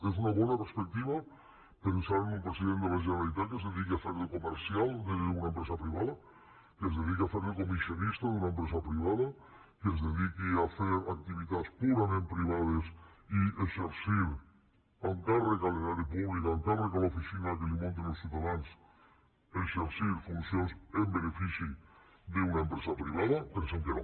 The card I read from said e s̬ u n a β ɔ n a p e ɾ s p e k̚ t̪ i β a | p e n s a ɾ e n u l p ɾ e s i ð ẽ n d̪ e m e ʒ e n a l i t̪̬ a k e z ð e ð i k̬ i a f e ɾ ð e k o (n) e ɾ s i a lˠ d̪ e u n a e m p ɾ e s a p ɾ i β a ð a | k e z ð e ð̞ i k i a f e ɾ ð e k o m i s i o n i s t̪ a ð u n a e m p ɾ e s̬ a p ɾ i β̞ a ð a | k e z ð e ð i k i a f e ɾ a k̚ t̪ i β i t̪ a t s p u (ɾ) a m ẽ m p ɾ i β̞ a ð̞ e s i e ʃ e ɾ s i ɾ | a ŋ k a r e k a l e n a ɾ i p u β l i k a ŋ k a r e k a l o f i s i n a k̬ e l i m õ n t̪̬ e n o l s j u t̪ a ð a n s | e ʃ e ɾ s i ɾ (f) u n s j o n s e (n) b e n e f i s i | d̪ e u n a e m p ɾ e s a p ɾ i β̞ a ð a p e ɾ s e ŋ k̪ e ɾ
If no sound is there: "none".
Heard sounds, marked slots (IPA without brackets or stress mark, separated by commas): m, ɾ, f, m